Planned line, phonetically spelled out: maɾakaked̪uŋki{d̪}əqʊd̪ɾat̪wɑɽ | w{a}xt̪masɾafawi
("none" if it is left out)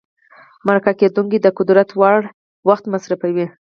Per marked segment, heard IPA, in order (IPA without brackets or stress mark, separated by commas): d̪, a